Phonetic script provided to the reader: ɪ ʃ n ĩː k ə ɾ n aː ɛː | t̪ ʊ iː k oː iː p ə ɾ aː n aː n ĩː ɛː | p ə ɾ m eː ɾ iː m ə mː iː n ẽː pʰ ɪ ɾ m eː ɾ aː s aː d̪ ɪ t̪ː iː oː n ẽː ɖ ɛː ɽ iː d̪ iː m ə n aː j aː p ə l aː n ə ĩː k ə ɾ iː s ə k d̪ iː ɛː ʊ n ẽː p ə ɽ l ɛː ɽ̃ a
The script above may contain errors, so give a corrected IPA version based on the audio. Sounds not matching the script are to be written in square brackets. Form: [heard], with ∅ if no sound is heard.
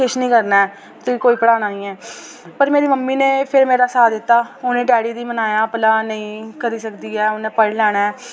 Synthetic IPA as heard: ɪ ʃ n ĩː k ə ɾ n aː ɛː | t̪ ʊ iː k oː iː p ə [ɽ] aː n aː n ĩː ɛː | p ə ɾ m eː ɾ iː m ə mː iː n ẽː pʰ ɪ ɾ m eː ɾ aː s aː d̪ ɪ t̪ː [aː] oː n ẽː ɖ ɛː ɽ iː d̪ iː m ə n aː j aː p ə l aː n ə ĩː k ə ɾ iː s ə k d̪ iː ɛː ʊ n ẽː p ə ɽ l ɛː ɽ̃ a